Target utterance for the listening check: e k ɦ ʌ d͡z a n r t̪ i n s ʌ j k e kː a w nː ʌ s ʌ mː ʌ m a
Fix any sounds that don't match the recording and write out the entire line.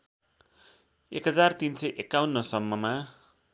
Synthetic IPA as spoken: e k ɦ ʌ d͡z a r t̪ i n s ʌ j ʔ e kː a w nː ʌ s ʌ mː ʌ m a